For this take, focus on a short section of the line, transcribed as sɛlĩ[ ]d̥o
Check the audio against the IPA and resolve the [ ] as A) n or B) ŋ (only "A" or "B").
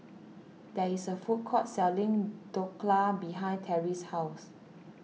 B